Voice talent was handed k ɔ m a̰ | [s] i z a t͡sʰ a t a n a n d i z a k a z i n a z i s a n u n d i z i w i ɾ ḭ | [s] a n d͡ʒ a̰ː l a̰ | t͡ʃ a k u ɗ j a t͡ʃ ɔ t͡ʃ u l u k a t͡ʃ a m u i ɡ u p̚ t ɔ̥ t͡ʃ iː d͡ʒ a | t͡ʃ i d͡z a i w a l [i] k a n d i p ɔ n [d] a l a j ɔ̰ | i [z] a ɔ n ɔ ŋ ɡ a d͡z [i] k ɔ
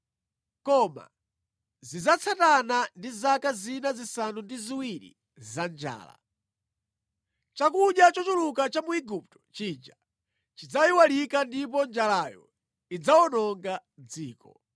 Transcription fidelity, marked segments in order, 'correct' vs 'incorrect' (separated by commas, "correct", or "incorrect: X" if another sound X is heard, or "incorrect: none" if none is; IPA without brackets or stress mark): incorrect: z, incorrect: z, correct, incorrect: d͡ʒ, incorrect: d͡z, incorrect: iː